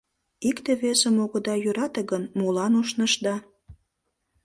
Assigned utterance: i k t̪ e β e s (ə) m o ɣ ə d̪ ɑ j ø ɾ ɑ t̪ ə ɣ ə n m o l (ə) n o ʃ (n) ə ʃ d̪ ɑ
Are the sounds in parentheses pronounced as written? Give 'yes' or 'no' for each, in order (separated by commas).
yes, no, yes